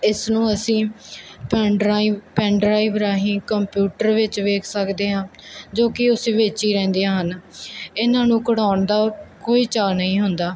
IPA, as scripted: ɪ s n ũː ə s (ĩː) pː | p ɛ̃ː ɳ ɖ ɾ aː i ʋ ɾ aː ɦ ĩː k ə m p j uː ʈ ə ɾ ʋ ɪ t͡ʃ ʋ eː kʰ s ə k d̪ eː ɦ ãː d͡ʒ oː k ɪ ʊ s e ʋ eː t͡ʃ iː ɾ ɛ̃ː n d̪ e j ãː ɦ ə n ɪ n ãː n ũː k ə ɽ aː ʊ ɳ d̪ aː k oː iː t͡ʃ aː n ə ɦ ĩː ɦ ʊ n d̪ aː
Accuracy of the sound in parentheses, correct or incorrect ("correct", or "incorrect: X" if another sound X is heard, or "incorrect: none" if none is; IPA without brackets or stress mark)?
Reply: correct